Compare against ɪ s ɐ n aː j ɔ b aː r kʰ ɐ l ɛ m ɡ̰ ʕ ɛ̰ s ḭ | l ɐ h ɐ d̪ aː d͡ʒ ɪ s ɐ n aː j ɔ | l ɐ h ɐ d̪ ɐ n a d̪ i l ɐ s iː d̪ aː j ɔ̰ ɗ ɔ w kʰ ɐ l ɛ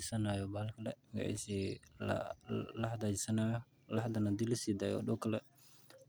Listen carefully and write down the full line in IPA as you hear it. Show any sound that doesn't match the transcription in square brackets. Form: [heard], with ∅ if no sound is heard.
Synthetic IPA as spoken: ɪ s ɐ n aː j ɔ b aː [l] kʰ ɐ l ɛ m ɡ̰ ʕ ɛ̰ s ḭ | l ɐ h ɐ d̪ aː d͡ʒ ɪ s ɐ n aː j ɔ | l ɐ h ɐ d̪ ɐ n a d̪ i l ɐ s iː d̪ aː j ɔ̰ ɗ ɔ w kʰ ɐ l ɛ